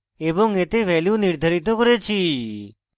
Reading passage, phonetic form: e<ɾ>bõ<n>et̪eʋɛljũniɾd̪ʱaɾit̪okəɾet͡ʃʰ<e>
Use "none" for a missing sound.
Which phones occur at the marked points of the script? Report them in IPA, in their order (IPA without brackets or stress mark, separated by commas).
none, ŋ, i